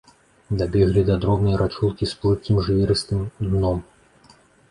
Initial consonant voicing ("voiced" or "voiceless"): voiced